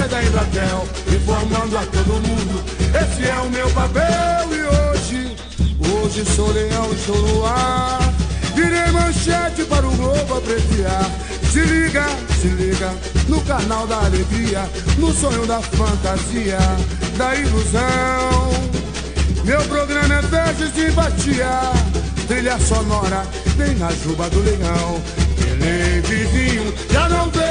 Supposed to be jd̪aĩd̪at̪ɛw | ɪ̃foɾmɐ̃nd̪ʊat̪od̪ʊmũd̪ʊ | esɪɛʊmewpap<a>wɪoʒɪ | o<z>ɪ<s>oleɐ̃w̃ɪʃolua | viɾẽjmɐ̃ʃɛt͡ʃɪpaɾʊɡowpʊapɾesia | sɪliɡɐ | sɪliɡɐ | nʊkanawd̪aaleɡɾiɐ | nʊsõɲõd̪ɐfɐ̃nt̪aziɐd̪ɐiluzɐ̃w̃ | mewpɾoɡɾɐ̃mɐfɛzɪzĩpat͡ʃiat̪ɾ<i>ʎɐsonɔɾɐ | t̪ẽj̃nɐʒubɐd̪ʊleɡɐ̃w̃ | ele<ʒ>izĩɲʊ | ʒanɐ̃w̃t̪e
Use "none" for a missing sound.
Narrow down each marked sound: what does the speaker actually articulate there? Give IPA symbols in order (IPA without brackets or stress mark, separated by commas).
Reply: ɛ, ʒ, s, i, v